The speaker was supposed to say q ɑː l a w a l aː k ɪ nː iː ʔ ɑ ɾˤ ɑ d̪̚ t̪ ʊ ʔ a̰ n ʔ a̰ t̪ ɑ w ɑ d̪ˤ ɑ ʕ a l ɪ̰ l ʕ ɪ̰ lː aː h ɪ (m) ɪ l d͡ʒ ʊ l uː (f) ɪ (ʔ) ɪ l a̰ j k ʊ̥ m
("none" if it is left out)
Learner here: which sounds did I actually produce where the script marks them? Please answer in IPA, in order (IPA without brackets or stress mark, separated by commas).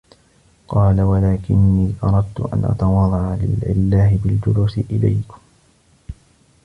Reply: b, s, ʔ